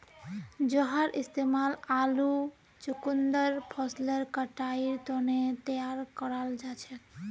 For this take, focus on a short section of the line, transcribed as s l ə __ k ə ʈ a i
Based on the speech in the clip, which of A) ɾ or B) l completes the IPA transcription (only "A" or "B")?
A